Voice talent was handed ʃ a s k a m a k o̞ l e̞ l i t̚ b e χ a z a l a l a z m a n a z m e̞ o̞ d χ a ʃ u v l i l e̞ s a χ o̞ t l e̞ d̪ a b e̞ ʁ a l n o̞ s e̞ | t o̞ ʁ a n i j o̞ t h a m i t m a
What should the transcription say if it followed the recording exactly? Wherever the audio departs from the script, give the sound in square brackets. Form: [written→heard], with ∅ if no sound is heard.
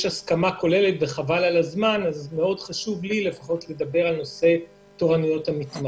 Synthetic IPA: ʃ a s k a m a k o̞ l e̞ l [i→e] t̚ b e χ a [z→v] a l a l a z m a n a z m e̞ o̞ d χ a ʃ u v l i l e̞ [s→f] a χ o̞ t l e̞ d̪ a b e̞ ʁ a l n o̞ s e̞ | t o̞ ʁ a n i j o̞ t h a m i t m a